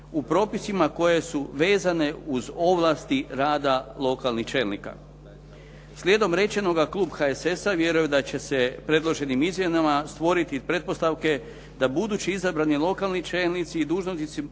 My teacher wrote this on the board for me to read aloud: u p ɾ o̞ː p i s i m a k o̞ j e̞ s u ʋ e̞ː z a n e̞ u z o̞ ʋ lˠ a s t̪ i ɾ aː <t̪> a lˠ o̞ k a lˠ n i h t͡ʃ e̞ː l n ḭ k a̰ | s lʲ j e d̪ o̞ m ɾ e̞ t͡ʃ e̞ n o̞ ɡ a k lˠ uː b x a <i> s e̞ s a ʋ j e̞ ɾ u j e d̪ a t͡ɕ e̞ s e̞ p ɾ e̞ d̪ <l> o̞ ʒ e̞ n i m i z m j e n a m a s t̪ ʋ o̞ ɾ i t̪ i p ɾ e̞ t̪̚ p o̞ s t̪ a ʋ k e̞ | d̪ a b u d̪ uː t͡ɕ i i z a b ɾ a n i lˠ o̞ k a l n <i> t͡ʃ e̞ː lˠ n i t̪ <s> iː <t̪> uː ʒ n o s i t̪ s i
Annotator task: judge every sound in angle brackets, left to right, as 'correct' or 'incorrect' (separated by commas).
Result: incorrect, incorrect, correct, correct, correct, incorrect